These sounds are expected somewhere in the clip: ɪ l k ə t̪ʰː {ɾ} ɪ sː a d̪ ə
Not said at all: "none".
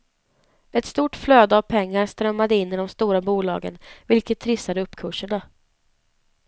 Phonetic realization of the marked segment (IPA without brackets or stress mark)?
ɾ